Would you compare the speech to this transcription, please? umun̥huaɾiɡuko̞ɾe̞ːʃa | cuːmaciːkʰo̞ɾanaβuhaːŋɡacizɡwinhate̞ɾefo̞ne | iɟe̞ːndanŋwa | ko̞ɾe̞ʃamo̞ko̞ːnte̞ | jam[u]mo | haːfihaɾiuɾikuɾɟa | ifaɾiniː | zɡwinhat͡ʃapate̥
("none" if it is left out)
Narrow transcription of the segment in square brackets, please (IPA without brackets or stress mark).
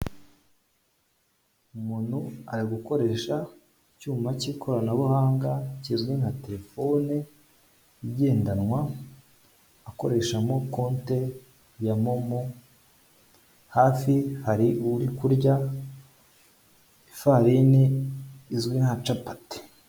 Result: o